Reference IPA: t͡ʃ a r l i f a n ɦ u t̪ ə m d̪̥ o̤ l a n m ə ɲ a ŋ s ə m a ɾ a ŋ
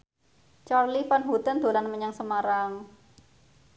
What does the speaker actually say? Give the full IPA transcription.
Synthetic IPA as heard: t͡ʃ a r l i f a n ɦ u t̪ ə n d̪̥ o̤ l a n m ə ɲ a ŋ s ə m a ɾ a ŋ